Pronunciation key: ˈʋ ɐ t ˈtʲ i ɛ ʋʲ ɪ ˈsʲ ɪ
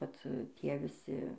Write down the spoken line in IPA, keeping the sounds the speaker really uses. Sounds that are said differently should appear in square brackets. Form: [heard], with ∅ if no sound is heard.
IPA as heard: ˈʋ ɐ t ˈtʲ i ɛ ʋʲ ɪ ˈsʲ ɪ